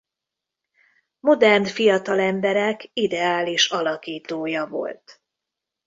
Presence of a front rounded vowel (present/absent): absent